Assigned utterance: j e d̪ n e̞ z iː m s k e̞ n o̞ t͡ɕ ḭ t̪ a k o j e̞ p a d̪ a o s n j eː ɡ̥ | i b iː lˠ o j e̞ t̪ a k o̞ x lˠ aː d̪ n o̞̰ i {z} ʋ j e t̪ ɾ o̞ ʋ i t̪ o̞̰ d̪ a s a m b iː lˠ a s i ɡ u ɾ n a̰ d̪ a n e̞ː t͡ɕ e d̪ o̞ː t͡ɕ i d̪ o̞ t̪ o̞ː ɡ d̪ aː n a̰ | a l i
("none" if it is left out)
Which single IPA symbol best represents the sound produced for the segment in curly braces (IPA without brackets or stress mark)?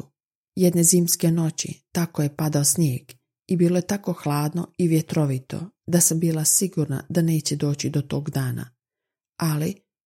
none